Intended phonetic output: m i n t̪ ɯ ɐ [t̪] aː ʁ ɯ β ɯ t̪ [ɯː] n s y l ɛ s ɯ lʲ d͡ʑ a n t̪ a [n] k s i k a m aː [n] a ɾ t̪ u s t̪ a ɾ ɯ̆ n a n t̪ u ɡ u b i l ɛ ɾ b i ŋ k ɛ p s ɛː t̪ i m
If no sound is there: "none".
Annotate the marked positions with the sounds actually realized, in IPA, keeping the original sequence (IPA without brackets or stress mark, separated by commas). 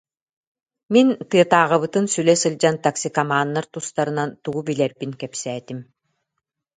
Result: t̪, ɯ, none, nː